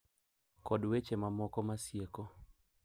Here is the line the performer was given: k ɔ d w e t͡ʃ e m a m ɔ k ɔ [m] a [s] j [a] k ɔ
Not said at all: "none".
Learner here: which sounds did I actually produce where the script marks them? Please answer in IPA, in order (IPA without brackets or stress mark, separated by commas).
m, s, e